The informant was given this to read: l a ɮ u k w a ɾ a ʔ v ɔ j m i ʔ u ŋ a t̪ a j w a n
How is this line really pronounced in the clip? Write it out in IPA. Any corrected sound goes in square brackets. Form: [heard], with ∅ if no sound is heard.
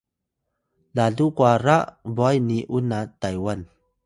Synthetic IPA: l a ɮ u k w a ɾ a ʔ [b] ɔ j [n] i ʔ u [n] a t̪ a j w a n

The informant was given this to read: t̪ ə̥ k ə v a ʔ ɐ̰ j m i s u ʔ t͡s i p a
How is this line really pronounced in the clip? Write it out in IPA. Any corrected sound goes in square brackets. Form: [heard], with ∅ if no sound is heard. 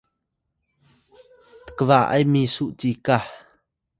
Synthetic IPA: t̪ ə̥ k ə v a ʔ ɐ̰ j m i s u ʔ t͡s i [k] a

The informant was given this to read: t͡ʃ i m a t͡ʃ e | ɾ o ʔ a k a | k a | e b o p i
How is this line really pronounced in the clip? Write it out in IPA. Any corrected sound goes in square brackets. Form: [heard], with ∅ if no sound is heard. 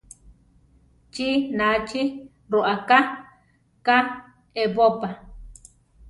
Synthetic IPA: t͡ʃ i [n] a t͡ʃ [i] | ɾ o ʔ a k a | k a | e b o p [a]

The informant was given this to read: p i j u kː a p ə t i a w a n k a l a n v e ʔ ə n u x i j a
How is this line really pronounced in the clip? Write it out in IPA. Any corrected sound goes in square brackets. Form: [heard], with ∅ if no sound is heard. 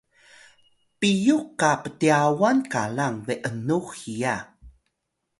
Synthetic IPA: p i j u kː a p ə t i a w a n k a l a [ŋ] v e ʔ ə n u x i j a

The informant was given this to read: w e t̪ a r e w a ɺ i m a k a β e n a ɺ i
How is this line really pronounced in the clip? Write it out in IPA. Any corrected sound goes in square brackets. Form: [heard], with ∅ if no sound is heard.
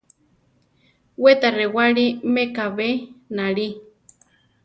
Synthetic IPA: w e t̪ a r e w a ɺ i m [e] k a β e n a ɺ i

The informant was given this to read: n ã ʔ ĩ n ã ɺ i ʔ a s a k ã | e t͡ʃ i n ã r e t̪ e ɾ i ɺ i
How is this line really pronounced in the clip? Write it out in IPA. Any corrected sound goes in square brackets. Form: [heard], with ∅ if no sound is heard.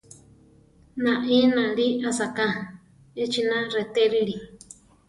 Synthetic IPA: n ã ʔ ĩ n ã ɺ i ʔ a s a k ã | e t͡ʃ i n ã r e t̪ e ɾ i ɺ i

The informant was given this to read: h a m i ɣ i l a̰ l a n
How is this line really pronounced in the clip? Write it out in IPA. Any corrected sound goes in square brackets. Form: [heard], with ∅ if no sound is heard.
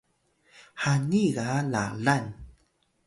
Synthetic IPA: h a [n] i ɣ [a] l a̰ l a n

